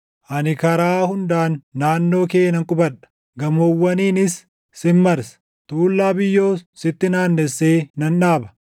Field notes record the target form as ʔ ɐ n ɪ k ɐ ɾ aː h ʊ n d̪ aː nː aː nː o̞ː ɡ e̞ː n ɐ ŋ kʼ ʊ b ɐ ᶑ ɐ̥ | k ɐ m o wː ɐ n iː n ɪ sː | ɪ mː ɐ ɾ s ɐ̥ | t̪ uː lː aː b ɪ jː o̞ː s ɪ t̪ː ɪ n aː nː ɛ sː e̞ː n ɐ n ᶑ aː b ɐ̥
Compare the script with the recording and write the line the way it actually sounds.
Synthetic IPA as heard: ʔ ɐ n ɪ k ɐ ɾ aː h ʊ n d̪ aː nː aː nː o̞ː k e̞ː n ɐ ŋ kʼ ʊ b ɐ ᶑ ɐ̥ | ɡ ɐ m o wː ɐ n iː n ɪ sː | ɪ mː ɐ ɾ s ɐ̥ | t̪ uː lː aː b ɪ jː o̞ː s ɪ t̪ː ɪ n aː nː ɛ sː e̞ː n ɐ n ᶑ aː b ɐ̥

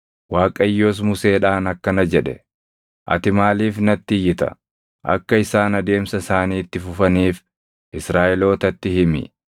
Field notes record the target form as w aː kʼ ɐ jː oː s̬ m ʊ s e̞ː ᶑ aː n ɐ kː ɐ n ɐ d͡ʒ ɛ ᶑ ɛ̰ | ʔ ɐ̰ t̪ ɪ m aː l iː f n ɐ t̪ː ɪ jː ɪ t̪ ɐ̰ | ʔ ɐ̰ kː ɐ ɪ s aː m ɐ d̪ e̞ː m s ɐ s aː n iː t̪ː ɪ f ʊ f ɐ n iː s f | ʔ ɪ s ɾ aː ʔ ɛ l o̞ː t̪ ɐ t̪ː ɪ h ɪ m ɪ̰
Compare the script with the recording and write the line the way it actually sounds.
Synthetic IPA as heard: w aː kʼ ɐ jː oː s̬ m ʊ s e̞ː ᶑ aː n ɐ kː ɐ n ɐ d͡ʒ ɛ ᶑ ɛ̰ | ʔ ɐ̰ t̪ ɪ m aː l iː f n ɐ t̪ː ɪ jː ɪ t̪ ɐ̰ | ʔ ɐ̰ kː ɐ ɪ s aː n ɐ d̪ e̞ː m s ɐ s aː n iː t̪ː ɪ f ʊ f ɐ n iː f | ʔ ɪ s ɾ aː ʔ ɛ l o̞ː t̪ ɐ t̪ː ɪ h ɪ m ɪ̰

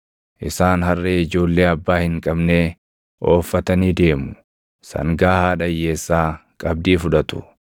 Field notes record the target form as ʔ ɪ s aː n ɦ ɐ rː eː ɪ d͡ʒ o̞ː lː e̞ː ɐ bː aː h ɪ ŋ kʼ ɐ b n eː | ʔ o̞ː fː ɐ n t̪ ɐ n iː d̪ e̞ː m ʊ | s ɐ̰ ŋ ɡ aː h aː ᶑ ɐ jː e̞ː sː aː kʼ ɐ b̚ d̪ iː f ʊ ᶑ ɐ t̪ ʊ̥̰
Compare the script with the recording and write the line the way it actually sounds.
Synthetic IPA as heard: ʔ ɪ s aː n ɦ ɐ rː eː ɪ d͡ʒ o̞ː lː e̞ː ɐ bː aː h ɪ ŋ kʼ ɐ b n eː | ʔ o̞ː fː ɐ t̪ ɐ n iː d̪ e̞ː m ʊ | s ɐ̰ ŋ ɡ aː h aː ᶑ ɐ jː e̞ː sː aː kʼ ɐ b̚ d̪ iː f ʊ ᶑ ɐ t̪ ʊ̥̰

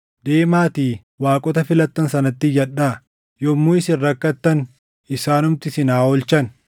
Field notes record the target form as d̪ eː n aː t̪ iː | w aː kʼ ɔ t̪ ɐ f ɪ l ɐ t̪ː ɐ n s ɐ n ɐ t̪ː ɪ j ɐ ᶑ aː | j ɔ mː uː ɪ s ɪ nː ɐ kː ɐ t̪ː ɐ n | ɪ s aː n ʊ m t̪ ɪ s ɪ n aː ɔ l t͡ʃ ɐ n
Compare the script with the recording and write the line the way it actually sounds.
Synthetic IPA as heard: d̪ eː m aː t̪ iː | w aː kʼ ɔ t̪ ɐ f ɪ l ɐ t̪ː ɐ n s ɐ n ɐ t̪ː ɪ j ɐ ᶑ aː | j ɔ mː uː ɪ s ɪ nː ɐ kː ɐ t̪ː ɐ n | ɪ s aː n ʊ m t̪ ɪ s ɪ n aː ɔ l t͡ʃ ɐ n

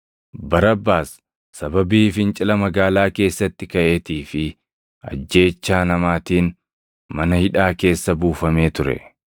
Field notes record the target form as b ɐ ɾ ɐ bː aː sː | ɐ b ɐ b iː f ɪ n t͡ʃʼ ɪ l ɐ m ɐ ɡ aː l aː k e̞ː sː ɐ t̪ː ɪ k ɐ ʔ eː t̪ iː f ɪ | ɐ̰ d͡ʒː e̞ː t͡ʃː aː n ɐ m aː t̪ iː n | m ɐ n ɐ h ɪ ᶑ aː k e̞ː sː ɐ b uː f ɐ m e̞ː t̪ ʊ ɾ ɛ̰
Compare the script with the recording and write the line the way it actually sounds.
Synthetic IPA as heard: b ɐ ɾ ɐ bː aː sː | ɐ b ɐ b iː f ɪ n t͡ʃʼ ɪ l ɐ m ɐ ɡ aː l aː k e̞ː sː ɐ t̪ː ɪ k ɐ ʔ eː t̪ iː f ɪ | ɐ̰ d͡ʒː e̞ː t͡ʃː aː n ɐ m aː t̪ iː n | m ɐ n ɐ h ɪ ᶑ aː k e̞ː sː ɐ b uː f ɐ m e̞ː t̪ ʊ ɾ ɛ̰

